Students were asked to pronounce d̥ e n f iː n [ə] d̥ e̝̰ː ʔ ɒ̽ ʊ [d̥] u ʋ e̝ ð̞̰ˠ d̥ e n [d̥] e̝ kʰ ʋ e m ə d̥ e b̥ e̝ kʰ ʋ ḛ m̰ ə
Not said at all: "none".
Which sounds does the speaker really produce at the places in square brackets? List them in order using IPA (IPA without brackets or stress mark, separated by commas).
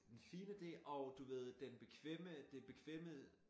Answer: ə, d̥, b̥